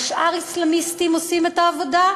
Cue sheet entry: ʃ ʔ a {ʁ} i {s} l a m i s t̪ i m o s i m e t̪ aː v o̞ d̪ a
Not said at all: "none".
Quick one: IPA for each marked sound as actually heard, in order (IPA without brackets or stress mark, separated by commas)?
ʁ, s